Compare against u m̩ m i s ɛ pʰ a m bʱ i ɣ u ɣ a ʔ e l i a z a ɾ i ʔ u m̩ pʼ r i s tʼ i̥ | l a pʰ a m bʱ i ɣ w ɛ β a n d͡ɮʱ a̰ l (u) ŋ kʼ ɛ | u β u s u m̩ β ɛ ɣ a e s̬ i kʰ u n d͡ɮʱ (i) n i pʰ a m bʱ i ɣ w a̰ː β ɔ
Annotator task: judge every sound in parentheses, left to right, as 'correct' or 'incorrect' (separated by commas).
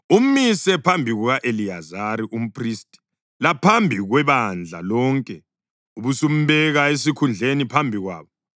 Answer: incorrect, incorrect